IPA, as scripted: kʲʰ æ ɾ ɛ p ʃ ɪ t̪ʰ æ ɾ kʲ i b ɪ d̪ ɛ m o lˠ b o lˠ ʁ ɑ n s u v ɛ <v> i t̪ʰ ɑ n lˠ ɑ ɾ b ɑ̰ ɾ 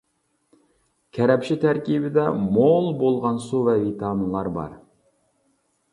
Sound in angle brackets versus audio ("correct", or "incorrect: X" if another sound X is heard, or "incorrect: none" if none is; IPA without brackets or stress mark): correct